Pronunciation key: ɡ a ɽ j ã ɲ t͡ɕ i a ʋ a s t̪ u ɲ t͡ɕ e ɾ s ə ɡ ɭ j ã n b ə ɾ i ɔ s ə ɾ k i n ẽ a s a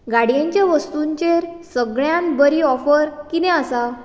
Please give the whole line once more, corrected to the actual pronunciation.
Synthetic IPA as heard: ɡ a ɽ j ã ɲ t͡ɕ j a ʋ ə s t̪ u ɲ t͡ɕ e ɾ s ə ɡ ɭ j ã n b ə ɾ i ɔ f ə ɾ k i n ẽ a s a